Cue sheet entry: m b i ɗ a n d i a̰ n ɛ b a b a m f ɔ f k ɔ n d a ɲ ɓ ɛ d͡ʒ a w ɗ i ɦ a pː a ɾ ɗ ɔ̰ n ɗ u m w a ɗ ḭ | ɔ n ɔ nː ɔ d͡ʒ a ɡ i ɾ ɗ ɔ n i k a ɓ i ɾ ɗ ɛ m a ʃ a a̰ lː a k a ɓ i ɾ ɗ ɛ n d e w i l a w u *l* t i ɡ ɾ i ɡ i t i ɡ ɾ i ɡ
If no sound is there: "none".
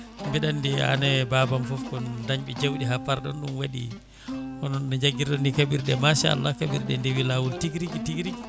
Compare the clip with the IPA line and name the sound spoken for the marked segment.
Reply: l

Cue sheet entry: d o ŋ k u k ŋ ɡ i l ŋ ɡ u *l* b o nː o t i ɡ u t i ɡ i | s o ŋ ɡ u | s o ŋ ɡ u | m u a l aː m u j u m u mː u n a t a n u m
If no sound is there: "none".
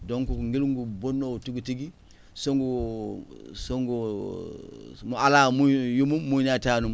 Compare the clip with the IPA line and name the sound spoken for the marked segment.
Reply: none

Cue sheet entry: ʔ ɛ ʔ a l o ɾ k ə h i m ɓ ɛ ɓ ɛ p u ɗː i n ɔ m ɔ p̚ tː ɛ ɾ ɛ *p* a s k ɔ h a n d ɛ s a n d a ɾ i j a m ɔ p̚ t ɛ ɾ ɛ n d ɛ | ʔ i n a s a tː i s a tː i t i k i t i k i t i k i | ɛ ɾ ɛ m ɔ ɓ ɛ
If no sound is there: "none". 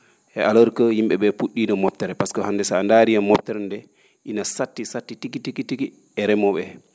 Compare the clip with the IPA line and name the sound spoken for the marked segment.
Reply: p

